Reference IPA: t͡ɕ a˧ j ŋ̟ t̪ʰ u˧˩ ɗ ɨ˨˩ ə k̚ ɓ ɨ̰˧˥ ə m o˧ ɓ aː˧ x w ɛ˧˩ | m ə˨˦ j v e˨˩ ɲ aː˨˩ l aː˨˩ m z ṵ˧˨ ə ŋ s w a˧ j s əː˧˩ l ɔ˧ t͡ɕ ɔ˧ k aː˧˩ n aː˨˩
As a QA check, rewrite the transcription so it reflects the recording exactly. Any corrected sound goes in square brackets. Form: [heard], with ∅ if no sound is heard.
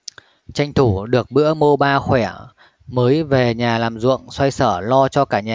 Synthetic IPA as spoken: t͡ɕ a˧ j ŋ̟ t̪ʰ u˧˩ ɗ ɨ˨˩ ə k̚ ɓ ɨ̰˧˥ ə m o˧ ɓ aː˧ x w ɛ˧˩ | m [əː˨˦] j v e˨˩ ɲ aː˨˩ l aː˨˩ m z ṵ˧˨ ə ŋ s w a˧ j s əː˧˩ l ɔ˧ t͡ɕ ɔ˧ k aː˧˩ [ɲ] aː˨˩